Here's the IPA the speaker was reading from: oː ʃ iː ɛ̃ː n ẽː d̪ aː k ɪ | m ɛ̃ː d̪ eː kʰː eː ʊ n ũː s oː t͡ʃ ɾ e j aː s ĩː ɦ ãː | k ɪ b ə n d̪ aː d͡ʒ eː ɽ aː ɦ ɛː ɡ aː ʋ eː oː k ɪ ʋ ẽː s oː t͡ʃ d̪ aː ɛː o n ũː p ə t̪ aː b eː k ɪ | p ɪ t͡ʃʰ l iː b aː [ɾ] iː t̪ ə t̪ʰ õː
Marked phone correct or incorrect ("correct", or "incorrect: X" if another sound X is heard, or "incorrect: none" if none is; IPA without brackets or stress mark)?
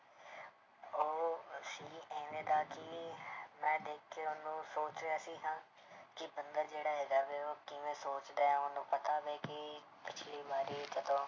correct